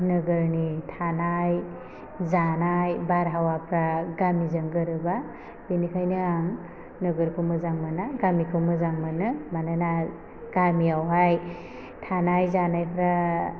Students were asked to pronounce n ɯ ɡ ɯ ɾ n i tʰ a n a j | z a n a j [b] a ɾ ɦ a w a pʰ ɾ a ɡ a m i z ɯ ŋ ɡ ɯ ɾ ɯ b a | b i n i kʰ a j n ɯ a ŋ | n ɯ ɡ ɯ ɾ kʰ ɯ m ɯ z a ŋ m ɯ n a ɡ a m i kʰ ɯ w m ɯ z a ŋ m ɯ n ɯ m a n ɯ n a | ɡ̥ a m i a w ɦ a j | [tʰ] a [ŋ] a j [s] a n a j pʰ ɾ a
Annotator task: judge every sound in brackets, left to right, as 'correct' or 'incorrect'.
correct, correct, incorrect, incorrect

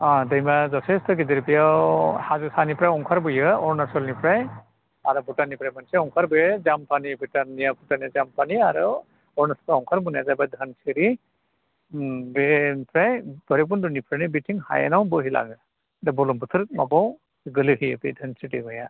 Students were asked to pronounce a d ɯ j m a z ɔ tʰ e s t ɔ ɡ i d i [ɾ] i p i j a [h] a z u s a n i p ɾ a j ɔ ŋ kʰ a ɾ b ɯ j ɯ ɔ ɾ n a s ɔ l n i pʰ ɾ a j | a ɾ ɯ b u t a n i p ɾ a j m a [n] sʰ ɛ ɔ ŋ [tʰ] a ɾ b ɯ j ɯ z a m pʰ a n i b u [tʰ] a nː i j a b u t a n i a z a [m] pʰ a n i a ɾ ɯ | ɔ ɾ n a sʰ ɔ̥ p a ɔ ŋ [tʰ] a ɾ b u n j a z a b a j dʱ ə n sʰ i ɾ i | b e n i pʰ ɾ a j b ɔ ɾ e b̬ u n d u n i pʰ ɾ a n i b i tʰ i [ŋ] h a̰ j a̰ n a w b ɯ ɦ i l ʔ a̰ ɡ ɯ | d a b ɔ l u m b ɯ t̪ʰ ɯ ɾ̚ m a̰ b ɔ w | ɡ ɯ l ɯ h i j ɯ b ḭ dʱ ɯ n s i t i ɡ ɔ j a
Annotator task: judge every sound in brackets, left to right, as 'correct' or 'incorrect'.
correct, correct, correct, incorrect, incorrect, correct, incorrect, correct

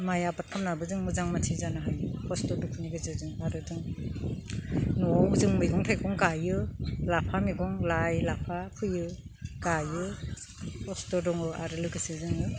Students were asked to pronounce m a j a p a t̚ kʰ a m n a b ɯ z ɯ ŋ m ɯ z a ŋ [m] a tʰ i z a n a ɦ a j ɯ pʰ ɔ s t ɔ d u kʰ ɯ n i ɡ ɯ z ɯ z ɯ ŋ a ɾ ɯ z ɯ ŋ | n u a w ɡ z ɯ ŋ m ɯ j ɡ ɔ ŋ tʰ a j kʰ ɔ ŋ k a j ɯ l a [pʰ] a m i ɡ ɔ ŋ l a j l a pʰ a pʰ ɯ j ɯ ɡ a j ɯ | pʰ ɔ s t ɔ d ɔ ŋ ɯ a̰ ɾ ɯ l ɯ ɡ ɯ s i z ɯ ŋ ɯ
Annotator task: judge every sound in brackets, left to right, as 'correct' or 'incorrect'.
correct, correct

